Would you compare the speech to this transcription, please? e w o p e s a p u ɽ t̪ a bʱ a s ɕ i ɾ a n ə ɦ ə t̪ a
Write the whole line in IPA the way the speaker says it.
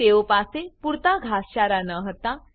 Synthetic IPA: e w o p a s e p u ɾ t̪ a ɡʱ a s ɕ a ɾ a n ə ɦ ə t̪ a